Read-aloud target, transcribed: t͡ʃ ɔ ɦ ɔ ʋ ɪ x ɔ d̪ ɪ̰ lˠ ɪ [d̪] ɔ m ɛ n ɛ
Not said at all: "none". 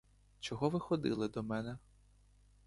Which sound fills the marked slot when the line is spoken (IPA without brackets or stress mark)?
d̪